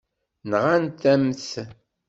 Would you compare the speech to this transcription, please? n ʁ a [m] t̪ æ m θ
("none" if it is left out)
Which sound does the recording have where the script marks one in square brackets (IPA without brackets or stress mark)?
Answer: n